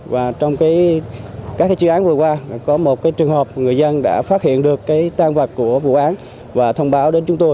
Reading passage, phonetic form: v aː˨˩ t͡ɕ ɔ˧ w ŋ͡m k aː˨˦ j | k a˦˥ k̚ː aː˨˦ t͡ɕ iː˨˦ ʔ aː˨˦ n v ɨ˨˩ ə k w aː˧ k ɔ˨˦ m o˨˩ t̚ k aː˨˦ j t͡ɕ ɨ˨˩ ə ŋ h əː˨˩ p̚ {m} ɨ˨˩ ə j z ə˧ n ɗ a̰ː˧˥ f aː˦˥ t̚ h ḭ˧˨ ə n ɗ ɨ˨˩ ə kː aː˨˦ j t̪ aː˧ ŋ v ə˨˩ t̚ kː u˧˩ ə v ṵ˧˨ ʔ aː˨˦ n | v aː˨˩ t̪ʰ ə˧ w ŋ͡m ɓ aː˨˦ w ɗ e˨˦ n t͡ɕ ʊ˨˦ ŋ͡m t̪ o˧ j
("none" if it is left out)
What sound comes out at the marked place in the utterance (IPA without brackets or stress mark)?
ŋ